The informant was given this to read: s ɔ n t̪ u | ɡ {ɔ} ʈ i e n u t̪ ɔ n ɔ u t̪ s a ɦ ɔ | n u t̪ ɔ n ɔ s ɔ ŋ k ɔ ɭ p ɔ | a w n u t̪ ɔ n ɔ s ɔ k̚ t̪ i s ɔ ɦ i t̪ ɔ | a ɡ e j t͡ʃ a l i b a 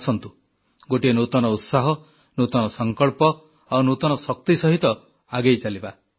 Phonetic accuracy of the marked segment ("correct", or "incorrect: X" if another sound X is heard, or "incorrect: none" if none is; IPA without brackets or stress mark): incorrect: o